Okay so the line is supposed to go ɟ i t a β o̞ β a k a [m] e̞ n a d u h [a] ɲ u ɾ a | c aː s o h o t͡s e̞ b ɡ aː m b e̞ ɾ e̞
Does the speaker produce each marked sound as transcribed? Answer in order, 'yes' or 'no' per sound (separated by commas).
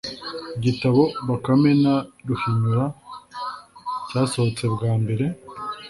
yes, no